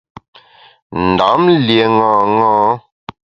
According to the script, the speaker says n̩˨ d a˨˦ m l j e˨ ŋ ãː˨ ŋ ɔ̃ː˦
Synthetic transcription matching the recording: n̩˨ d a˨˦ m l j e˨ ŋ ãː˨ ŋ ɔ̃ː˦